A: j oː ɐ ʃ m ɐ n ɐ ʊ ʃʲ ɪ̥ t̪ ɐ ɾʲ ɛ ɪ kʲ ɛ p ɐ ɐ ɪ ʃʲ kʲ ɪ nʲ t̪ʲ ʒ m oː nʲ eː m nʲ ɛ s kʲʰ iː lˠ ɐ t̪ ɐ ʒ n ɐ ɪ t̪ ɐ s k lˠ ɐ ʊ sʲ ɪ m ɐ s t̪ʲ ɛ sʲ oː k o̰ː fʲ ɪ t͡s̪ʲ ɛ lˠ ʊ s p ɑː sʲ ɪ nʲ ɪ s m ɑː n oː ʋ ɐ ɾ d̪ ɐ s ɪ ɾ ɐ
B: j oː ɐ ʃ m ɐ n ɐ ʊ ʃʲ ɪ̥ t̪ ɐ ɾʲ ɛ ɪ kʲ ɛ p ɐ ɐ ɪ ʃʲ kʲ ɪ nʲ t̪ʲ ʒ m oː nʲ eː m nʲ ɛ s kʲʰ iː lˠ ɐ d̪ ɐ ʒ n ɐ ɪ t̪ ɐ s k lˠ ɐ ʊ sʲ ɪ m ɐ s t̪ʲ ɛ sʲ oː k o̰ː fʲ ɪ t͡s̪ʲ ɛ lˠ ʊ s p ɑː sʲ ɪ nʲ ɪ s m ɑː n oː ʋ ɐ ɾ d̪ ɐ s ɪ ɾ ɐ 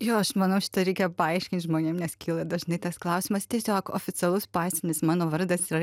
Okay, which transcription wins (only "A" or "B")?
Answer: B